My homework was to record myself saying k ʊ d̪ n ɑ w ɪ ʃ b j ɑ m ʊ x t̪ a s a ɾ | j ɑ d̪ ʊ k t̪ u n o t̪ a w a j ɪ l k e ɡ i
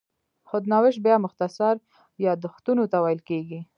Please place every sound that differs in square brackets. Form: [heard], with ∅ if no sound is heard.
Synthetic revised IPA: [x] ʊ d̪ n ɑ w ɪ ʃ b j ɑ m ʊ x t̪ a s a ɾ | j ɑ d̪ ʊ [x] t̪ u n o t̪ a w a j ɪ l k e ɡ i